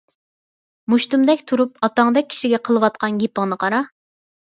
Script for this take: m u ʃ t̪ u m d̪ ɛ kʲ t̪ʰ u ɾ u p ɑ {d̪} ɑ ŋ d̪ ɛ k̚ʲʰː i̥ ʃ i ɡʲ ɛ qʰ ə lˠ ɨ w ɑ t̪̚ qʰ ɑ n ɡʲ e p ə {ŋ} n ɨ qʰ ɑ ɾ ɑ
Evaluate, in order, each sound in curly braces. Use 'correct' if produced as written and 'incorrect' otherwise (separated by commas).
incorrect, correct